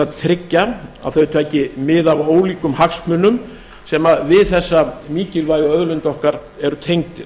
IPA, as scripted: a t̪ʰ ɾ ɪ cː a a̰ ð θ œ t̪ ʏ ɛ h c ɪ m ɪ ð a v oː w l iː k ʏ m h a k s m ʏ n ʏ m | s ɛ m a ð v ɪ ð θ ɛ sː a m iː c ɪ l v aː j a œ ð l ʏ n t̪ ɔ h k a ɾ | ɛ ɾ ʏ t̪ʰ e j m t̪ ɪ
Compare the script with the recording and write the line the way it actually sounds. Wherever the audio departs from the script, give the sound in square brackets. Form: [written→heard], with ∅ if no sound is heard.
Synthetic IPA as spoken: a t̪ʰ ɾ ɪ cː a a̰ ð θ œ t̪ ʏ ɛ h c ɪ m ɪ ð a v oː w l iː k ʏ m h a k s m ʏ n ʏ m | s ɛ m a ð v ɪ ð θ ɛ sː a m iː c ɪ l v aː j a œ ð l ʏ n t̪ ɔ h k a ɾ | ɛ ɾ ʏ t̪ʰ e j [m→ŋ] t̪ ɪ